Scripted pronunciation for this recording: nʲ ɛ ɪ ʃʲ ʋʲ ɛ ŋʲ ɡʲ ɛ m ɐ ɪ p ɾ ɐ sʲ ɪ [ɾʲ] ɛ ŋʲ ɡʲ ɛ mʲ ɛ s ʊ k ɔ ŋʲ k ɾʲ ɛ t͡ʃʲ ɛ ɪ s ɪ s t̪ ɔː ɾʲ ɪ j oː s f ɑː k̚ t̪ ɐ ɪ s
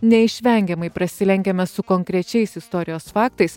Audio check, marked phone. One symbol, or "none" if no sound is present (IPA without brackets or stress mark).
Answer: lʲ